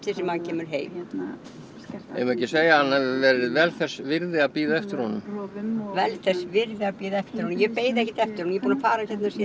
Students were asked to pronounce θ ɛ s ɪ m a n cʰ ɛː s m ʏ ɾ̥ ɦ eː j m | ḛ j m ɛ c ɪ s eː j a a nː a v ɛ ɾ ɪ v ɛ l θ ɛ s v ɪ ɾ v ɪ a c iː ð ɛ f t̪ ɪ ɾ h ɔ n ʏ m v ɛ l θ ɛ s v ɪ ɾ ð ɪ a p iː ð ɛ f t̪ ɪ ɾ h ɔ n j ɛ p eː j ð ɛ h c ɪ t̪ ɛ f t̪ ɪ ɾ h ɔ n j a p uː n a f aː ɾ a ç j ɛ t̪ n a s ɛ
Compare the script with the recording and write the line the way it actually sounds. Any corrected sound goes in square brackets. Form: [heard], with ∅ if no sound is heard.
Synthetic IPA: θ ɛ s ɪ m a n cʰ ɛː [∅] m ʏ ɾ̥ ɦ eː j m | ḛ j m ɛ c ɪ s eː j a a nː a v ɛ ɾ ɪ v ɛ l θ ɛ s v ɪ ɾ [ð] ɪ a [p] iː ð ɛ f t̪ ɪ ɾ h ɔ n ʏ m v ɛ l θ ɛ s v ɪ ɾ ð ɪ a p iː ð ɛ f t̪ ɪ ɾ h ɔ n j ɛ p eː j ð ɛ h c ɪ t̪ ɛ f t̪ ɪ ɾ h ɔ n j [ɛ] p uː n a f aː ɾ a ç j ɛ t̪ n a s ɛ